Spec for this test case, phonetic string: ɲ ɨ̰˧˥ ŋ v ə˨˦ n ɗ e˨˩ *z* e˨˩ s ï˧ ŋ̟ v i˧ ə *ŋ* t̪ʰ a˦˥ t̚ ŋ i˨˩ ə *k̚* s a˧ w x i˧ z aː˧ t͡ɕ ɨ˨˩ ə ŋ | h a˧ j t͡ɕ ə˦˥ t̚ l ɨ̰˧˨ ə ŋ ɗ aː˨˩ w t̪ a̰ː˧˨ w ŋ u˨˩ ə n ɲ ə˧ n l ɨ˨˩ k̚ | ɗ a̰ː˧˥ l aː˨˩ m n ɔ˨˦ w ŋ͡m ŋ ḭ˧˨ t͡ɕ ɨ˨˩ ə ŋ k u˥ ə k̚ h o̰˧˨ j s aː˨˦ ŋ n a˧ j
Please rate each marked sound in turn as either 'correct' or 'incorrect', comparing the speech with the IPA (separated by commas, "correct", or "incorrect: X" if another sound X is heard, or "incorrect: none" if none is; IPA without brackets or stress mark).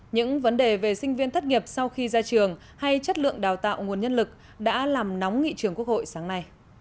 incorrect: v, incorrect: n, incorrect: p̚